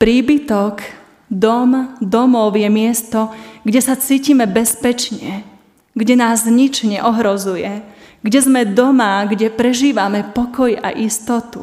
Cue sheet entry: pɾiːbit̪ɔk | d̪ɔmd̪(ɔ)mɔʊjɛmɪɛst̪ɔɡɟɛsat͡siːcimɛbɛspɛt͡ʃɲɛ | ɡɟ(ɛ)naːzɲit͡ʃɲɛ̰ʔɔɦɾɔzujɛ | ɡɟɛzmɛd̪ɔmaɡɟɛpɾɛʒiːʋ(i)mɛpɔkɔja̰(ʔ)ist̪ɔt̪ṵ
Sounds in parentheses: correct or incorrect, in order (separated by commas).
correct, correct, incorrect, correct